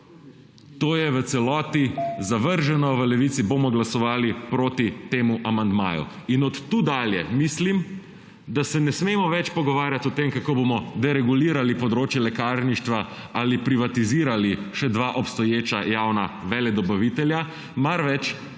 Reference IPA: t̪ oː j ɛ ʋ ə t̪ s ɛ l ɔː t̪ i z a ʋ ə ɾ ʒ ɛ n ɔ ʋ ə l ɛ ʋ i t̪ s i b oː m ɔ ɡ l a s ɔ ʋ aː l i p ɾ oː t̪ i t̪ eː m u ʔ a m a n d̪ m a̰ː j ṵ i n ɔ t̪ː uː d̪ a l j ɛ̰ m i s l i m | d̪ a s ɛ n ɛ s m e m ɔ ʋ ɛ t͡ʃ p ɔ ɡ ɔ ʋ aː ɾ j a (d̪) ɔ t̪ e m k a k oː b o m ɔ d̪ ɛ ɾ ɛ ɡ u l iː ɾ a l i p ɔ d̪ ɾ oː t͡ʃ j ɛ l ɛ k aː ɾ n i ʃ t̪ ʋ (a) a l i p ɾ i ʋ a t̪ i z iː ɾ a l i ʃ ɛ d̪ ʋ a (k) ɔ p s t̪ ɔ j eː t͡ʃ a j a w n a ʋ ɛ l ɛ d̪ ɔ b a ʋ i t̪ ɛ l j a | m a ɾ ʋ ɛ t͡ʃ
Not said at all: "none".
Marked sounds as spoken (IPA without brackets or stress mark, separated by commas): t̪, a, ʔ